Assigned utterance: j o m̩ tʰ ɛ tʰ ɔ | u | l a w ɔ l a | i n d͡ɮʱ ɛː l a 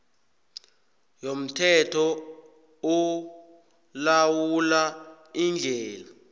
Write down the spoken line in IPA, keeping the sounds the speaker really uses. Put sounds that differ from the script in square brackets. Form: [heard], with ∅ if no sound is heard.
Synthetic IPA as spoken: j o m̩ tʰ ɛ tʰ ɔ | u | l a w [u] l a | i n d͡ɮʱ ɛː l a